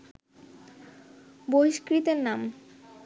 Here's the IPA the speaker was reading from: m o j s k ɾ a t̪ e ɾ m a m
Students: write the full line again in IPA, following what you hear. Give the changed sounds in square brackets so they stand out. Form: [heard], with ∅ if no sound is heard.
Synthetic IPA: [b] o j [ʃ] k ɾ [i] t̪ e ɾ [n] a m

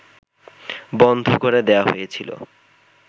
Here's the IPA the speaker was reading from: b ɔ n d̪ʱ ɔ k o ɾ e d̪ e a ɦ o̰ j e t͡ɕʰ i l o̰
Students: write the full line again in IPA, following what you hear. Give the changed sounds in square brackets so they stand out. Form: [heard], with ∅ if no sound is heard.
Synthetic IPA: b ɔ n d̪ʱ [o] k o ɾ e d̪ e a ɦ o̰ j e t͡ɕʰ i l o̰

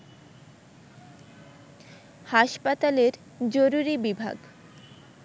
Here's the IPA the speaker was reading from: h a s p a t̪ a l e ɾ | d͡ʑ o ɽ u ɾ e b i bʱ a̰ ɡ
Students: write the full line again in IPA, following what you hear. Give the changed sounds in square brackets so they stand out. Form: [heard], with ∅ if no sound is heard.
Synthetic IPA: h a [ʃ] p a t̪ a l e ɾ | d͡ʑ o [ɾ] u ɾ [i] b i bʱ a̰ ɡ

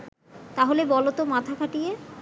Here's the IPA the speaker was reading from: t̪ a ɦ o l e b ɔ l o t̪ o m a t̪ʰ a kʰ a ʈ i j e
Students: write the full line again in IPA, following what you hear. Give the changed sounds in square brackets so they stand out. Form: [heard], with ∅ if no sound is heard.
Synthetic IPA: t̪ a ɦ o l e b ɔ l o t̪ o m a t̪ʰ a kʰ a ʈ i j e

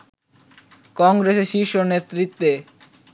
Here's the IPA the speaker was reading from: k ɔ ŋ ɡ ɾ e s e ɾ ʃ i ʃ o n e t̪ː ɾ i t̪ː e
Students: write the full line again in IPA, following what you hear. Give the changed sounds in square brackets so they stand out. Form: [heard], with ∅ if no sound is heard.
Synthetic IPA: k ɔ ŋ ɡ ɾ e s e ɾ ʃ i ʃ o n e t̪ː ɾ i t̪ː e

